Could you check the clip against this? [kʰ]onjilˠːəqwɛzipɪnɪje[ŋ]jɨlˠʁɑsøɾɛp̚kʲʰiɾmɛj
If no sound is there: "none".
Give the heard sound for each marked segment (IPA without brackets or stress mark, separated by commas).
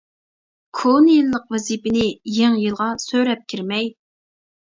kʰ, ŋ